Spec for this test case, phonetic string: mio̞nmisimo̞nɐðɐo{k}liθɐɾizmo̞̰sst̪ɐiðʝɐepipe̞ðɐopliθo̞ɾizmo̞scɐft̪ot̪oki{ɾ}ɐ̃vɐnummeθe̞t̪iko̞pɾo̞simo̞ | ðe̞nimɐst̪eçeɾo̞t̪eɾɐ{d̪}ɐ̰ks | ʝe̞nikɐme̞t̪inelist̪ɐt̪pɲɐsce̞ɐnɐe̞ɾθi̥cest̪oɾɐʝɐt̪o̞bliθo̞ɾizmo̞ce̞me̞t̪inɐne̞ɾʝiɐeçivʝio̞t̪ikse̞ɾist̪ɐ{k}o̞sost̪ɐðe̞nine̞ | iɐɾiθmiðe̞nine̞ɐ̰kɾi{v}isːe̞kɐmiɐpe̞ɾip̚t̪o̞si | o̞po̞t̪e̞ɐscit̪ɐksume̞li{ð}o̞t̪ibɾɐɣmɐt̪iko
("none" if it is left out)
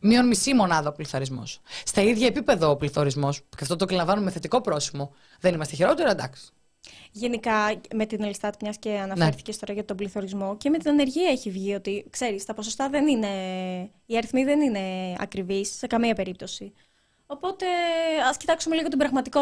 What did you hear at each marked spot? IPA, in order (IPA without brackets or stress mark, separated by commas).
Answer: p, l, d̪, p, v, ɣ